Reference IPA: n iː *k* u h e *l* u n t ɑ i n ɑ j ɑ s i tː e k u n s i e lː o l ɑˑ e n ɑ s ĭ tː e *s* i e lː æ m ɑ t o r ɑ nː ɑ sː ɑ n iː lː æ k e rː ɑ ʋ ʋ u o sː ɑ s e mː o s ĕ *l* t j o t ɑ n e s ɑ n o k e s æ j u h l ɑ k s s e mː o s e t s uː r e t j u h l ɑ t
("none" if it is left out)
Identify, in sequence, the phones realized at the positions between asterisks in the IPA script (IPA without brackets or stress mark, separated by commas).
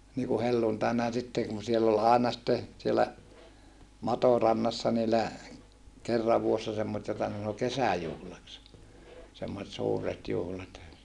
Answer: k, lː, s, none